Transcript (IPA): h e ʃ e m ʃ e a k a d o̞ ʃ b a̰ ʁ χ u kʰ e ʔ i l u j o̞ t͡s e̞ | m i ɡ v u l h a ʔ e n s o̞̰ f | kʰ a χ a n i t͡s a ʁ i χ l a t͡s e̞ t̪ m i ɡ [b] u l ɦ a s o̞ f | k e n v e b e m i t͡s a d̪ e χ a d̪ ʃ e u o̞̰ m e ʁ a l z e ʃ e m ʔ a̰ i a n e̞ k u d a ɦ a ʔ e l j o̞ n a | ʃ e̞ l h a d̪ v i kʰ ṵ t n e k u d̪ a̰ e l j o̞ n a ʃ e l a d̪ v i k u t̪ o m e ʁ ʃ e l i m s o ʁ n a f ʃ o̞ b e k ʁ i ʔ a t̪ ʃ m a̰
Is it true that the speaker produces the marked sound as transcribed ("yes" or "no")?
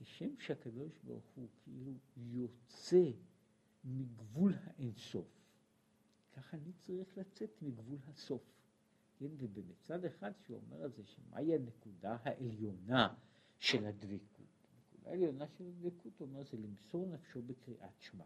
no